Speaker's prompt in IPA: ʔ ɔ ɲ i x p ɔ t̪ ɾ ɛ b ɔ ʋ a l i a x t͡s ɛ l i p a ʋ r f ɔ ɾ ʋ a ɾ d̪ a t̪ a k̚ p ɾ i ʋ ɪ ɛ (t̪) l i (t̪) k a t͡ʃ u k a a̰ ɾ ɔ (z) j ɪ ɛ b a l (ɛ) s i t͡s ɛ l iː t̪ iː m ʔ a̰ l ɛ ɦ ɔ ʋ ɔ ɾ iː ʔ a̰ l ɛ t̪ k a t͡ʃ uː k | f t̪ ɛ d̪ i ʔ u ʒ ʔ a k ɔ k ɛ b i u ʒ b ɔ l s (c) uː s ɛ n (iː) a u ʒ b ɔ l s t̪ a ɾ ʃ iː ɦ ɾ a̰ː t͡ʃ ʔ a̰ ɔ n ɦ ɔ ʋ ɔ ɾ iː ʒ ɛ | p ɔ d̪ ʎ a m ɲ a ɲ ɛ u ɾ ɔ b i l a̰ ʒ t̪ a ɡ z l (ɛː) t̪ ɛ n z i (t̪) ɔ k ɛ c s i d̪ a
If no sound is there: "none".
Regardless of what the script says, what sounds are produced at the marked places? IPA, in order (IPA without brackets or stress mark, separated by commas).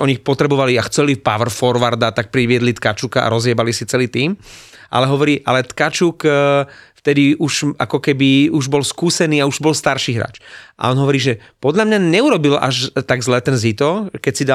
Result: d̪, t̪, z, i, k, iː, ɛː, t̪